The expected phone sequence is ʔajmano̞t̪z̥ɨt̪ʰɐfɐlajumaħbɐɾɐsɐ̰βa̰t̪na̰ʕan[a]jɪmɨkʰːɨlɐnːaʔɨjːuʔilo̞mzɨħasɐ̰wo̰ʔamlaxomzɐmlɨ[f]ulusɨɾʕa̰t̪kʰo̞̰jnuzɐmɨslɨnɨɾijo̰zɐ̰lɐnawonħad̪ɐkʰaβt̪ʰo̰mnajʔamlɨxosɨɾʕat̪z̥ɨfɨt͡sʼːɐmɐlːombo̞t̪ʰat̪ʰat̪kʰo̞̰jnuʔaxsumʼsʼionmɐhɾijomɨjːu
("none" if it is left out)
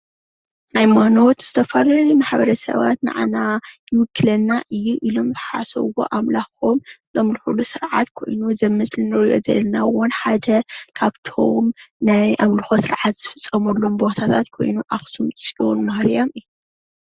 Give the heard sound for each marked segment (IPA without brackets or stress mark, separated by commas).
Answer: a, ħ